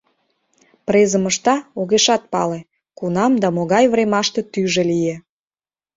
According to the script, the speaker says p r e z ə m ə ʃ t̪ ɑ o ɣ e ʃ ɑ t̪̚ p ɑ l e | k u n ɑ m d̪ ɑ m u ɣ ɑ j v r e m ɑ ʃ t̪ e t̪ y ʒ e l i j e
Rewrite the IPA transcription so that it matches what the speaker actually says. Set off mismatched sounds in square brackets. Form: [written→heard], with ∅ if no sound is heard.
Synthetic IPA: p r e z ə m ə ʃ t̪ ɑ o ɣ e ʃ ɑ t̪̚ p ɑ l e | k u n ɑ m d̪ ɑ m [u→o] ɣ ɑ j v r e m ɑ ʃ t̪ e t̪ y ʒ e l i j e